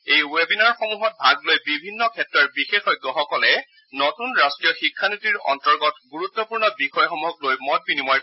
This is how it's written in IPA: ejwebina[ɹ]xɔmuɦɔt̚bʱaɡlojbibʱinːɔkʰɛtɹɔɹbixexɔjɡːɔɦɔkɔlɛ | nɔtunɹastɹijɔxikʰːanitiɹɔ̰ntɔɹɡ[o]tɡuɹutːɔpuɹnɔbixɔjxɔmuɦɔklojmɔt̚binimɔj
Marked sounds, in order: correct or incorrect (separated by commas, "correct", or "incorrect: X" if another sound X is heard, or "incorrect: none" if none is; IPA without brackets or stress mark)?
correct, incorrect: ɔ